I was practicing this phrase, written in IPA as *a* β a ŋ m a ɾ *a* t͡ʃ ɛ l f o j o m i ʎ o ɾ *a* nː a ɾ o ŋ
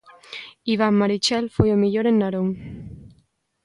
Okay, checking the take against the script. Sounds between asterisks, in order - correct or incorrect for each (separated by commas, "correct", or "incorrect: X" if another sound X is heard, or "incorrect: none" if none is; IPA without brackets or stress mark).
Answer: incorrect: i, incorrect: i, incorrect: e